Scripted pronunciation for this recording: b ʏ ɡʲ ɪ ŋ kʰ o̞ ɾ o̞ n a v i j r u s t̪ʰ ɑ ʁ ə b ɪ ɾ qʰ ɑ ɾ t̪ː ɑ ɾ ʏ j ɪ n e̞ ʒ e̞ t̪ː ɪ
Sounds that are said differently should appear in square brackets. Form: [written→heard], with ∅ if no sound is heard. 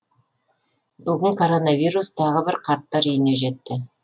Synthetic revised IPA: b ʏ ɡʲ ɪ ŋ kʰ o̞ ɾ o̞ n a v i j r u s t̪ʰ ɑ ʁ ə b ɪ ɾ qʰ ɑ ɾ t̪ː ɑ ɾ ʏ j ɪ n e̞ ʒ e̞ t̪ː ɪ